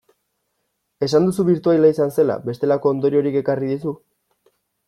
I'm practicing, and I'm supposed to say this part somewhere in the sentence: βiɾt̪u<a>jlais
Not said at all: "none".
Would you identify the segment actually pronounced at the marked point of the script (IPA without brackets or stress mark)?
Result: a